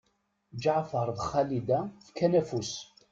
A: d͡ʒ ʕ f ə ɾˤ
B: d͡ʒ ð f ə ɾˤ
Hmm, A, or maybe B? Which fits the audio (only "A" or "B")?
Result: A